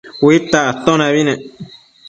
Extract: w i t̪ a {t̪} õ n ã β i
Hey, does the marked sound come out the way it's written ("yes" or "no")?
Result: yes